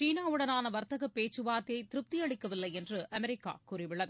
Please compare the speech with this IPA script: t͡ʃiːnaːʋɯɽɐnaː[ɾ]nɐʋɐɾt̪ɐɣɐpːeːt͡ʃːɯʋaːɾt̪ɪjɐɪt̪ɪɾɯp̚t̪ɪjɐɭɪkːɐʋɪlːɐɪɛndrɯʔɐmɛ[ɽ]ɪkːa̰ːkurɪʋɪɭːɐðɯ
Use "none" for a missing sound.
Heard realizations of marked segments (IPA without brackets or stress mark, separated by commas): none, ɾ